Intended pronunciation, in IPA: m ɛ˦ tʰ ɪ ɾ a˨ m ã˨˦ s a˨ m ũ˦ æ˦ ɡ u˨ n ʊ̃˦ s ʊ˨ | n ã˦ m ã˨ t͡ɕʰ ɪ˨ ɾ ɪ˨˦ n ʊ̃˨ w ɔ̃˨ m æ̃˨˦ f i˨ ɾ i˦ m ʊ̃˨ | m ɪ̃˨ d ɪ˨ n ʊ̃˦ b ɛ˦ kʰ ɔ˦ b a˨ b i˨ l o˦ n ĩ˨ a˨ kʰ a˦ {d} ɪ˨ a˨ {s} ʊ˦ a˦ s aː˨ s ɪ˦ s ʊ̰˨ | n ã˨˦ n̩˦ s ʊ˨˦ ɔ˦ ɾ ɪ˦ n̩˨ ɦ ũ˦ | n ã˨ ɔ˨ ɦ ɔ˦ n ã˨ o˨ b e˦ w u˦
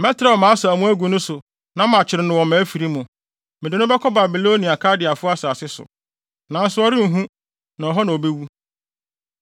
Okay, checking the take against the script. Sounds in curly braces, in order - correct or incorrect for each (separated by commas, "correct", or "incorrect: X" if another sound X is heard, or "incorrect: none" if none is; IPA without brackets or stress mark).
correct, incorrect: f